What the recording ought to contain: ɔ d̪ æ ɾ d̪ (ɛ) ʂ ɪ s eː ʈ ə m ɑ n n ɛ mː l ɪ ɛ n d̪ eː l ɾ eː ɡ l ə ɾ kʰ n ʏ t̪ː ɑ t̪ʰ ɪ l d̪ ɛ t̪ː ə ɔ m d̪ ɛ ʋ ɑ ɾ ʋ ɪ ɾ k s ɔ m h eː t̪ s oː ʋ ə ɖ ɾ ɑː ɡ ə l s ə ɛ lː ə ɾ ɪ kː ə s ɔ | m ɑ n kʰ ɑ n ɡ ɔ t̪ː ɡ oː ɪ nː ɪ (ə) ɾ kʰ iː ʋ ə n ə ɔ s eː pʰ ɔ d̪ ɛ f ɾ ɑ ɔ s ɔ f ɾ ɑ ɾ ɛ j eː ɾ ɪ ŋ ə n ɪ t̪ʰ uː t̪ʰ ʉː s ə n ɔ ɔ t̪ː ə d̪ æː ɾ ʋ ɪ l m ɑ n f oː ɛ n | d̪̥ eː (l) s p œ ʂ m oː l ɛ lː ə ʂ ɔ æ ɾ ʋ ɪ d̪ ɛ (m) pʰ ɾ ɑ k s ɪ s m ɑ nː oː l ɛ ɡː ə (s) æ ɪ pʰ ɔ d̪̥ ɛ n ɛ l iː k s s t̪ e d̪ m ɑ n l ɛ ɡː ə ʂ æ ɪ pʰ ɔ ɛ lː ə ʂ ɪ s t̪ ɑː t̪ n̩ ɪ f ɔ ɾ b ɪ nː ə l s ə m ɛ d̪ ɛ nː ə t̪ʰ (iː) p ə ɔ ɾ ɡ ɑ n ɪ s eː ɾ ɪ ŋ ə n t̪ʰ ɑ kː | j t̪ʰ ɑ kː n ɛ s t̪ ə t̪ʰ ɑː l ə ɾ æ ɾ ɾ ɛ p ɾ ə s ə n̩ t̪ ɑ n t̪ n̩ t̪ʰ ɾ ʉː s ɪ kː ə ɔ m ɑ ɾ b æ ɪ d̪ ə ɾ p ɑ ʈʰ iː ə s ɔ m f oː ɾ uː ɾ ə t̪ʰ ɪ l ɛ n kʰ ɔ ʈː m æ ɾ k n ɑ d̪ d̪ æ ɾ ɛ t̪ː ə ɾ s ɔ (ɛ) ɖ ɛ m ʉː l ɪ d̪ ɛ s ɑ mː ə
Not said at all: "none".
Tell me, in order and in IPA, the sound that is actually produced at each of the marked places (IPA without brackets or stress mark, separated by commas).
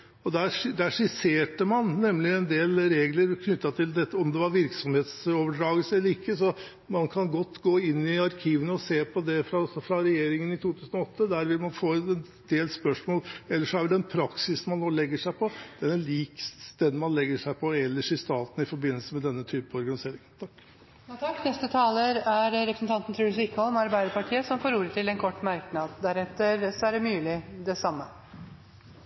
æ, ɑ, l, n, ʂ, yː, æ